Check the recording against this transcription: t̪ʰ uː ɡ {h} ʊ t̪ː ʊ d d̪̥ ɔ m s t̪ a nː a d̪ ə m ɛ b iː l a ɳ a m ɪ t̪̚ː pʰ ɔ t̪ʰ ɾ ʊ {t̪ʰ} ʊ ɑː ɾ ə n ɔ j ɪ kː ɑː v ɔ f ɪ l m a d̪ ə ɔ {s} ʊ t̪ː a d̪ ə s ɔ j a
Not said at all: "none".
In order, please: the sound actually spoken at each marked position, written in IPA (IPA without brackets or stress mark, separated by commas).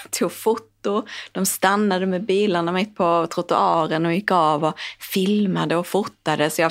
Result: f, t̪, f